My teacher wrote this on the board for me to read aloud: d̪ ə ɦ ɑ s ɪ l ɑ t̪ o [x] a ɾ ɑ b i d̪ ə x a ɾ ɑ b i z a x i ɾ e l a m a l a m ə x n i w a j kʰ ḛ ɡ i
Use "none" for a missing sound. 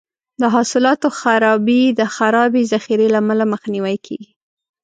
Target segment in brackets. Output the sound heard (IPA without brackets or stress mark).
x